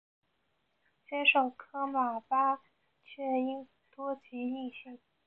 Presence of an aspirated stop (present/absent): present